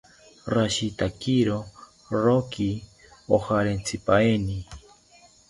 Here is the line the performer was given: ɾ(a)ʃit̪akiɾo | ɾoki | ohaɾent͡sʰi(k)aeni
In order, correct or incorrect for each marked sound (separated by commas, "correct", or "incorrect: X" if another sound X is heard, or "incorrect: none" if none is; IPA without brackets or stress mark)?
correct, incorrect: p